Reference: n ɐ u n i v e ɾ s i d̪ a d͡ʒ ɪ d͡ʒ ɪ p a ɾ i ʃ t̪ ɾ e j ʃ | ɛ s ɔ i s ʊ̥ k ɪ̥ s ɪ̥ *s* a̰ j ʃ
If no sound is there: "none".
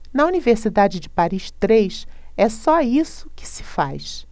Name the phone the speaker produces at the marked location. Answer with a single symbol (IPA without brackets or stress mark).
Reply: f